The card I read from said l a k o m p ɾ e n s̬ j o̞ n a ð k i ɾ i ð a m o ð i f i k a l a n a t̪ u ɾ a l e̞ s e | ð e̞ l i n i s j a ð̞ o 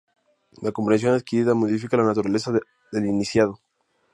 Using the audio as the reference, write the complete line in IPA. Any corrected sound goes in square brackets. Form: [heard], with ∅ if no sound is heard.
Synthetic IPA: l a k o m p ɾ e n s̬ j o̞ n a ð k i ɾ i ð a m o ð i f i k a l a n a t̪ u ɾ a l e̞ s [a] | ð e̞ l i n i s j a ð̞ o